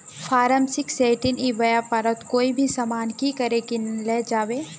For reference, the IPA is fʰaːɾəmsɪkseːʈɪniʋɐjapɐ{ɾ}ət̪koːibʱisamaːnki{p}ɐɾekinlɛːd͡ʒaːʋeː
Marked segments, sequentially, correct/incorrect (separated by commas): correct, incorrect